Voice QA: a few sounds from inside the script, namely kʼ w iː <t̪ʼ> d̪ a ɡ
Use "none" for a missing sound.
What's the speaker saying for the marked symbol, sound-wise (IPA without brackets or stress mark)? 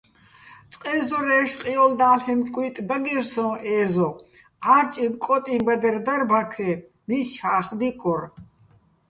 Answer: t̪ʼ